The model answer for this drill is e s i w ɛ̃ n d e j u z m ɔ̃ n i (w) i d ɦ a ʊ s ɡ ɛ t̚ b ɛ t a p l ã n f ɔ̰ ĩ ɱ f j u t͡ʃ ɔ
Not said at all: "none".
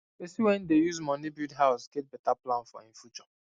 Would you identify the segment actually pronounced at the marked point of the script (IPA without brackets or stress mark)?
b